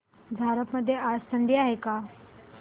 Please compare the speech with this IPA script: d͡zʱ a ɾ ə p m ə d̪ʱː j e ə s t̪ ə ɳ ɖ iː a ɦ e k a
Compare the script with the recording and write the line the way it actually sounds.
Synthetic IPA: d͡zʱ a ɾ ə p m ə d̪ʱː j e a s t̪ ə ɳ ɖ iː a ɦ e k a